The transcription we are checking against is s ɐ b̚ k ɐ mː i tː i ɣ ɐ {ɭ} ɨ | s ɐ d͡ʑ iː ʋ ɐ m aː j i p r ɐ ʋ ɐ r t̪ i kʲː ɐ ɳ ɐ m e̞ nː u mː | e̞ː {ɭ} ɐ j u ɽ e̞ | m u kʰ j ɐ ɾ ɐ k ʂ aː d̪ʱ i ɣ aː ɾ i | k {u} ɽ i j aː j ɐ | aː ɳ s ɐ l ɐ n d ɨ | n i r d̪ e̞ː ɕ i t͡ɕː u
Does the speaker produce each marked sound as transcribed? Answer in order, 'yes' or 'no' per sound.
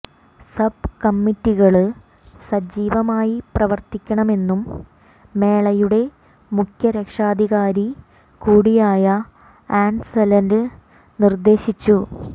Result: yes, yes, no

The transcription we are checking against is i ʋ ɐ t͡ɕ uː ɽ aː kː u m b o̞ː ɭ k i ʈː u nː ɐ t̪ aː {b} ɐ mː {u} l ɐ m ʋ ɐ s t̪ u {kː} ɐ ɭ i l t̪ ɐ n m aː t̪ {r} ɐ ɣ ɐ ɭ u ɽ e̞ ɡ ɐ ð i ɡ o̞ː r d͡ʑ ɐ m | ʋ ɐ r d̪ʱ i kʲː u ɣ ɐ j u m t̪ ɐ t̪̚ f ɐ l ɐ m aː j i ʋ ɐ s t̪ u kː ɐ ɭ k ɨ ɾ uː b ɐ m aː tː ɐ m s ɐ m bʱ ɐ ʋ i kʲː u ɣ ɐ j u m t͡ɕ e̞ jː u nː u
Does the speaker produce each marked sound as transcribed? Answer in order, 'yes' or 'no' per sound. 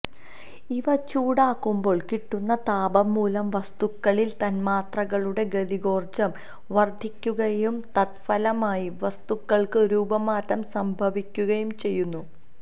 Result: yes, no, yes, yes

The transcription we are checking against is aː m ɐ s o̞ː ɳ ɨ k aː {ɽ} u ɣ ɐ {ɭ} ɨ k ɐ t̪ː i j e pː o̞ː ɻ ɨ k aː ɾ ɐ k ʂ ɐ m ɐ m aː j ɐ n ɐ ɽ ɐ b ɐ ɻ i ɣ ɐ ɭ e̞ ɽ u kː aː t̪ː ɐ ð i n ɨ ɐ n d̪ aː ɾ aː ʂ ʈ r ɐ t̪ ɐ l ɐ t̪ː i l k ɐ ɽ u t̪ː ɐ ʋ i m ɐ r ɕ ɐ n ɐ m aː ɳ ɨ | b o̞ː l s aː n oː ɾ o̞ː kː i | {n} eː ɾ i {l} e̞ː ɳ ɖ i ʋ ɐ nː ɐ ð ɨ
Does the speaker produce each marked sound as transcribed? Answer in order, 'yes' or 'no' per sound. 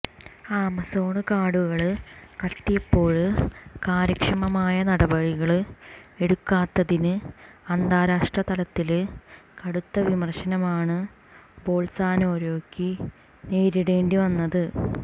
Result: yes, yes, yes, no

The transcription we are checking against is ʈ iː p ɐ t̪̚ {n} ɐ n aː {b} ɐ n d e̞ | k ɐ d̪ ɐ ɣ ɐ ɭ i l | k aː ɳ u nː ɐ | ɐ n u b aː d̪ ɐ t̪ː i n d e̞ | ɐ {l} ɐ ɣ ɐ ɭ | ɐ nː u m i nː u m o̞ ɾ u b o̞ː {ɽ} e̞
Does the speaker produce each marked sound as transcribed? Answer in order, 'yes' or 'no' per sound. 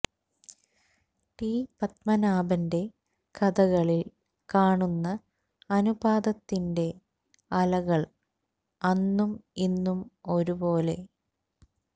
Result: no, yes, yes, no

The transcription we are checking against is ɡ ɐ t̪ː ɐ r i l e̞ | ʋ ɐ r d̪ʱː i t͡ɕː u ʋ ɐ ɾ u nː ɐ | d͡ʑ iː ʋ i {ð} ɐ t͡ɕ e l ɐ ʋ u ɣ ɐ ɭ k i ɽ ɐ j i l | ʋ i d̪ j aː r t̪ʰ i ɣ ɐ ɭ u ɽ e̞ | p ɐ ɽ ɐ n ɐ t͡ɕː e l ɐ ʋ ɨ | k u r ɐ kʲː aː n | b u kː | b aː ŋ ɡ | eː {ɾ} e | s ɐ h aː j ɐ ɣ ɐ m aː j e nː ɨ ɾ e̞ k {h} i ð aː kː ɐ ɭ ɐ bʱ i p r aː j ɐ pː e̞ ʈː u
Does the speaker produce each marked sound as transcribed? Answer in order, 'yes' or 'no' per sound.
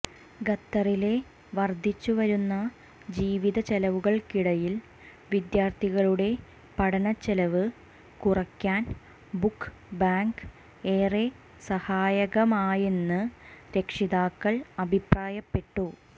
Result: yes, no, no

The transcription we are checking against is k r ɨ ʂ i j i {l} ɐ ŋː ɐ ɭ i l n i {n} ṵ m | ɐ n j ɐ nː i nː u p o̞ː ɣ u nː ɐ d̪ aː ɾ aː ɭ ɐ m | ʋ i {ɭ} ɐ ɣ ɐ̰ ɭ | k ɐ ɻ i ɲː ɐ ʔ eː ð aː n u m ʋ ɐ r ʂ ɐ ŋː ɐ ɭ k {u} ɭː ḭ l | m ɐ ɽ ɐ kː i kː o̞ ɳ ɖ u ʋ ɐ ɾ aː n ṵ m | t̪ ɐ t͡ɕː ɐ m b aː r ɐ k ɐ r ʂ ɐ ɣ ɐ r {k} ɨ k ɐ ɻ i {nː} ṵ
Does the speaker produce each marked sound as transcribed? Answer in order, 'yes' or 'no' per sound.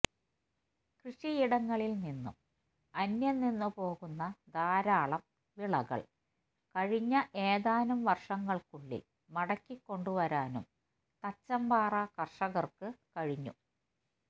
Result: no, no, yes, yes, yes, no

